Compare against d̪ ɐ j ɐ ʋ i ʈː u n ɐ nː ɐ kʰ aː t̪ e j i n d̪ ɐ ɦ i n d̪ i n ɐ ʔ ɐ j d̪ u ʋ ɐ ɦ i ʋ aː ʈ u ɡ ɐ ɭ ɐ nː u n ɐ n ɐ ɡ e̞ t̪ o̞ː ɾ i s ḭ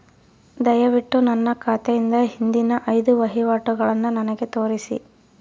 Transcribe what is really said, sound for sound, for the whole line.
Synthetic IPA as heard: d̪ ɐ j ɐ ʋ i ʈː u n ɐ nː ɐ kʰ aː t̪ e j i n d̪ ɐ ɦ i n d̪ i n ɐ ʔ ɐ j d̪ u ʋ ɐ ɦ i ʋ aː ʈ u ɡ ɐ ɭ ɐ nː u n ɐ n ɐ ɡ e̞ t̪ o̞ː ɾ i s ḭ

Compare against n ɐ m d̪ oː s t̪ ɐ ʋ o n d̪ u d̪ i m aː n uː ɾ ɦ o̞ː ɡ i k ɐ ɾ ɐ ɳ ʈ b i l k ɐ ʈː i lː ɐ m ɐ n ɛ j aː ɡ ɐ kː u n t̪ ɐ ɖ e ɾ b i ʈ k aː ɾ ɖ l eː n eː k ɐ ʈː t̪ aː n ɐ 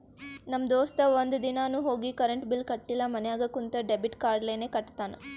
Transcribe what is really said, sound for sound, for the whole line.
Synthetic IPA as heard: n ɐ m d̪ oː s t̪ ɐ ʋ o n d̪ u d̪ i n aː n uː ɦ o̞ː ɡ i k ɐ ɾ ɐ ɳ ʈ b i l k ɐ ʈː i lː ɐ m ɐ n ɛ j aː ɡ ɐ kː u n t̪ ɐ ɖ e b i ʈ k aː ɾ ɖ l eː n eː k ɐ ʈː t̪ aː n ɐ

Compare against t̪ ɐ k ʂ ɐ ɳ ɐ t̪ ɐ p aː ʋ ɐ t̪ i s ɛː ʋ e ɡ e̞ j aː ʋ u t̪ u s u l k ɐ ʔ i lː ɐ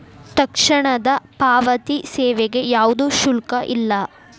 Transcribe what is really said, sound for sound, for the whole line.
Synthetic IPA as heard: t̪ ɐ k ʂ ɐ ɳ ɐ d̪ ɐ p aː ʋ ɐ t̪ i s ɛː ʋ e ɡ e̞ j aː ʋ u d̪ u ʃ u l k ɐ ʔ i lː ɐ

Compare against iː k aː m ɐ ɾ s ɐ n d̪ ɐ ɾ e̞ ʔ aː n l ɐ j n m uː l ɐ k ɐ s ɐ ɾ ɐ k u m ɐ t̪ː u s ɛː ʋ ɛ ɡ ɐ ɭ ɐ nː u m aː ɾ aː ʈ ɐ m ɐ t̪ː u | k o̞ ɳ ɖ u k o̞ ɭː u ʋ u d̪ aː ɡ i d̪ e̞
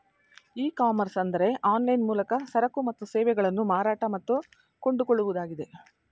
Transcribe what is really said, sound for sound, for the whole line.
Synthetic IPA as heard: iː k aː m ɐ ɾ s ɐ n d̪ ɐ ɾ e̞ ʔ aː n l ɐ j n m uː l ɐ k ɐ s ɐ ɾ ɐ k u m ɐ t̪ː u s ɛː ʋ ɛ ɡ ɐ ɭ ɐ nː u m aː ɾ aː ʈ ɐ m ɐ t̪ː u | k o̞ ɳ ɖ u k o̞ ɭː u ʋ u d̪ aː ɡ i d̪ e̞

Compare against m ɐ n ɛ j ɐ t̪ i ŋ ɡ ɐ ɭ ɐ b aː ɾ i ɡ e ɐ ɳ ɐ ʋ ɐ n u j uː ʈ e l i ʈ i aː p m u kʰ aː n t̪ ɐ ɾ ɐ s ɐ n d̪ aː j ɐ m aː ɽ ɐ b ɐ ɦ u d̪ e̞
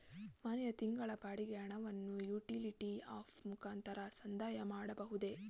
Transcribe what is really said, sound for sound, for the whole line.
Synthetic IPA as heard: m ɐ n ɛ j ɐ t̪ i ŋ ɡ ɐ ɭ ɐ b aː ɽ i ɡ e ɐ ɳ ɐ ʋ ɐ nː u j uː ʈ i l i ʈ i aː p m u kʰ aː n t̪ ɐ ɾ ɐ s ɐ n d̪ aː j ɐ m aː ɽ ɐ b ɐ ɦ u d̪ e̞

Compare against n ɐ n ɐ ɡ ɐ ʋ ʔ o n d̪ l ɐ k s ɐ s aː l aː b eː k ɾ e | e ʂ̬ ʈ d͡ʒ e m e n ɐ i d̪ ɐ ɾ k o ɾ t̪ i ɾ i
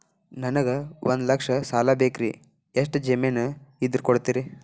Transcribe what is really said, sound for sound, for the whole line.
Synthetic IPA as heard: n ɐ n ɐ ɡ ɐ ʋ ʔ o n d̪ l ɐ k ʂ ɐ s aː l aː b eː k ɾ i | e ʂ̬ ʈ d͡ʒ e m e n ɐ i d̪ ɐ ɾ k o ɽ t̪ i ɾ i

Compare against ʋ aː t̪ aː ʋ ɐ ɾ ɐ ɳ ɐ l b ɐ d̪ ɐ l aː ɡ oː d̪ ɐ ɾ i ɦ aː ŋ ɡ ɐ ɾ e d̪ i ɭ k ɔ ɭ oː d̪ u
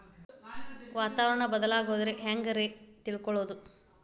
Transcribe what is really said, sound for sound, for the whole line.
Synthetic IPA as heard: ʋ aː t̪ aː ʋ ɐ ɾ ɐ ɳ ɐ b ɐ d̪ ɐ l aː ɡ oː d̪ ɐ ɾ e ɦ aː ŋ ɡ ɐ ɾ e t̪ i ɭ k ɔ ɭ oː d̪ u

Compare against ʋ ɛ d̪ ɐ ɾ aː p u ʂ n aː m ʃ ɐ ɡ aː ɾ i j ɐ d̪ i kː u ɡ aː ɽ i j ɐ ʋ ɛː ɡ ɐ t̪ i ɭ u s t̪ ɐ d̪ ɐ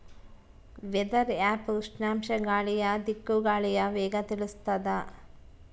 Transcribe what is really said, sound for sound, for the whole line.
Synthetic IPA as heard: ʋ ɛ d̪ ɐ ɾ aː p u ʂ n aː m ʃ ɐ ɡ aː ɭ i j ɐ d̪ i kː u ɡ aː ɭ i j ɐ ʋ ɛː ɡ ɐ t̪ i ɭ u s t̪ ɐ d̪ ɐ

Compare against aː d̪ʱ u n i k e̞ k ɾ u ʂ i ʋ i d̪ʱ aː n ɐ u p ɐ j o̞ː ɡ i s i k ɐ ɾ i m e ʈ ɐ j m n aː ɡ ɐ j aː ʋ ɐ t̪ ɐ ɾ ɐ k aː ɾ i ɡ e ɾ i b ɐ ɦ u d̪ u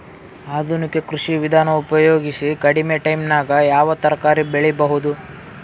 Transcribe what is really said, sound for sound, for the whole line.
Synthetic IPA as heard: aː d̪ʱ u n i k e̞ k ɾ u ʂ i ʋ i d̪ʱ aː n ɐ u p ɐ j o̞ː ɡ i s i k ɐ ɽ i m e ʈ ɐ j m n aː ɡ ɐ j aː ʋ ɐ t̪ ɐ ɾ ɐ k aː ɾ i b e ɭ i b ɐ ɦ u d̪ u

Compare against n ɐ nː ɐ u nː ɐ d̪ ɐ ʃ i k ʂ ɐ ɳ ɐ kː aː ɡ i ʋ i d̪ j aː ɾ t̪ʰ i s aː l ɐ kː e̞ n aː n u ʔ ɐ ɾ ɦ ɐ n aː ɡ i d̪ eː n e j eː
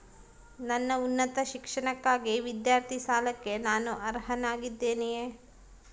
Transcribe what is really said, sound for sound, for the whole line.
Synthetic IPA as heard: n ɐ nː ɐ u nː ɐ t̪ ɐ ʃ i k ʂ ɐ ɳ ɐ kː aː ɡ i ʋ i d̪ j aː ɾ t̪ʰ i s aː l ɐ kː e̞ n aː n u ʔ ɐ ɾ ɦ ɐ n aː ɡ i d̪ː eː n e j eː

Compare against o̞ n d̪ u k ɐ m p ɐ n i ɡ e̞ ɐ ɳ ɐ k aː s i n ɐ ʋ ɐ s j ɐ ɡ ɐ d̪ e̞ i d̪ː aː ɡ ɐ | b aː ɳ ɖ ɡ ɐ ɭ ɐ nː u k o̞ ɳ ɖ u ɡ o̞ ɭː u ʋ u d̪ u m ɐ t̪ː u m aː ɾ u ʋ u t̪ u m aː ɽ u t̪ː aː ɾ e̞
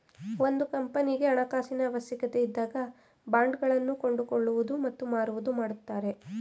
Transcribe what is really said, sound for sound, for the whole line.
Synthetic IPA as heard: o̞ n d̪ u k ɐ m p ɐ n i ɡ e̞ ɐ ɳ ɐ k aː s i n ɐ ʋ ɐ s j ɐ k ɐ t̪ e̞ i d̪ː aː ɡ ɐ | b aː ɳ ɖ ɡ ɐ ɭ ɐ nː u k o̞ ɳ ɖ u k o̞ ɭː u ʋ u d̪ u m ɐ t̪ː u m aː ɾ u ʋ u d̪ u m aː ɽ u t̪ː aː ɾ e̞

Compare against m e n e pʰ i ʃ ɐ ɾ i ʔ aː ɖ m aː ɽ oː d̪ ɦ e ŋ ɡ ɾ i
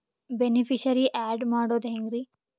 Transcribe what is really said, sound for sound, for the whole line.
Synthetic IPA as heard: b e n i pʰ i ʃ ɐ ɾ i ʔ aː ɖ m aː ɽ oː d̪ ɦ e ŋ ɡ ɾ i

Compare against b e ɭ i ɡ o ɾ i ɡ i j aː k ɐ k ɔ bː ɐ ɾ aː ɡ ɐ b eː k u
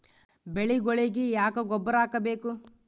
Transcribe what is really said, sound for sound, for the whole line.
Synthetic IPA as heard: b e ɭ i ɡ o ɭ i ɡ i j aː k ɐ ɡ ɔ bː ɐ ɾ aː k ɐ b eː k u

